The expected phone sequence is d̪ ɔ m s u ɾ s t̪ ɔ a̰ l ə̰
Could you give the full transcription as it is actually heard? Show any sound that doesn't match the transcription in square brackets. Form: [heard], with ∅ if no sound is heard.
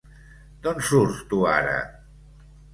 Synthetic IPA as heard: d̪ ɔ [n] s u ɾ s t̪ [u] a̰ [ɾ] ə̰